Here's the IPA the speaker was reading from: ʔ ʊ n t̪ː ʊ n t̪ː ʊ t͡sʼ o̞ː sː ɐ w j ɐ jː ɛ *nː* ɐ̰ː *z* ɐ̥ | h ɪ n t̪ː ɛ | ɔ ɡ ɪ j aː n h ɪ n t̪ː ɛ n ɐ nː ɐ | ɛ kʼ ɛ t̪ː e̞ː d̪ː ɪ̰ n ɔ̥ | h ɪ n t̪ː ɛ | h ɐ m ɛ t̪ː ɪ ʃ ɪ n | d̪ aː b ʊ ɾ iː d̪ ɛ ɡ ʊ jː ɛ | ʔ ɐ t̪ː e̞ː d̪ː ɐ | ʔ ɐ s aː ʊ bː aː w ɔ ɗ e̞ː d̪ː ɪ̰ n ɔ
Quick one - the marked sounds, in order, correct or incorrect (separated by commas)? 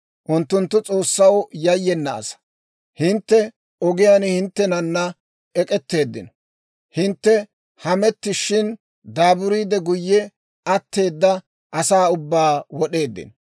correct, incorrect